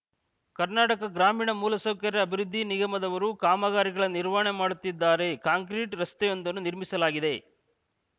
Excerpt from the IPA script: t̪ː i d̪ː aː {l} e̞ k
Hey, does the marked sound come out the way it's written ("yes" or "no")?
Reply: no